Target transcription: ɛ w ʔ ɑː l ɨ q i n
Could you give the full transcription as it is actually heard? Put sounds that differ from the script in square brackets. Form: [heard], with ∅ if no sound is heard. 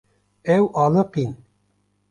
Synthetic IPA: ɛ w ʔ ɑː l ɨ q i n

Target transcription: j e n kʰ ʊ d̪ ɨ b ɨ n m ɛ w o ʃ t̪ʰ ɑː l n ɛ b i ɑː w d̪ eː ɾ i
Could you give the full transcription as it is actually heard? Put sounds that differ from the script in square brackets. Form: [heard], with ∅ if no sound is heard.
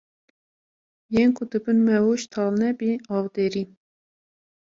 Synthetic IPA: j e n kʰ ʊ d̪ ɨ b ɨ n m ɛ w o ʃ t̪ʰ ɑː l n ɛ b i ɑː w d̪ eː ɾ i

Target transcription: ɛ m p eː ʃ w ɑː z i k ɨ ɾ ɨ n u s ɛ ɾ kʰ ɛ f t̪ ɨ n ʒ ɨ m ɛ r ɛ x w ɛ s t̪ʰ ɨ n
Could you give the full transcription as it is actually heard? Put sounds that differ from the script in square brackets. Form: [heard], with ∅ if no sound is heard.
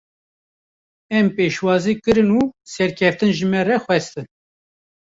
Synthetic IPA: ɛ m p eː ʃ w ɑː z i k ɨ ɾ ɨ n u s ɛ ɾ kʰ ɛ f t̪ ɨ n ʒ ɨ m ɛ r ɛ x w ɛ s [t̪] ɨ n

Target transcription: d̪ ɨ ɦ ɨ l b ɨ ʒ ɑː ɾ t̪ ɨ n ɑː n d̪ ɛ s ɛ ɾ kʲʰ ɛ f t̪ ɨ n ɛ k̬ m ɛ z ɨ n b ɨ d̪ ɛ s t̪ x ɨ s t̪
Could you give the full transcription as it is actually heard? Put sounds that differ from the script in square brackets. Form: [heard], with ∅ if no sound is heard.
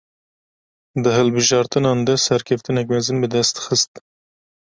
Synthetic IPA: d̪ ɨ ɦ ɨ l b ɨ ʒ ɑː ɾ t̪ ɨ n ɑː n d̪ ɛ s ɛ ɾ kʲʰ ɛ f t̪ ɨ n ɛ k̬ m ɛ z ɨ n b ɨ d̪ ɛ s t̪ x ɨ s t̪

